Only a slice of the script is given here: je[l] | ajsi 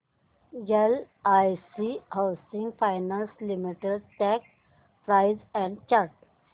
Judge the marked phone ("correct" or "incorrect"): correct